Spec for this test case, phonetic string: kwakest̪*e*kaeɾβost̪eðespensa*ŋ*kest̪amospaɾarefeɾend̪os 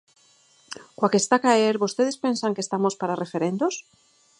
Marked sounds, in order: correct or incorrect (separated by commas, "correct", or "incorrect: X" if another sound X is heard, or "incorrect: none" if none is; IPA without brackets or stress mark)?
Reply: incorrect: a, correct